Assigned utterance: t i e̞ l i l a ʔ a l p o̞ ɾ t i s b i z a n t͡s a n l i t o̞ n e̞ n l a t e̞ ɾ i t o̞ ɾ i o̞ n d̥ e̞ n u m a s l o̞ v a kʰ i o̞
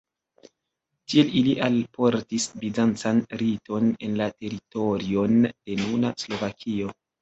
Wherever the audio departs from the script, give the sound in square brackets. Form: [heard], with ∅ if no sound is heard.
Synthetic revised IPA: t i e̞ l i l [i] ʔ a l p o̞ ɾ t i s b i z a n t͡s a n [ɾ] i t o̞ n e̞ n l a t e̞ ɾ i t o̞ ɾ i o̞ n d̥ e̞ n u [n] a s l o̞ v a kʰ i o̞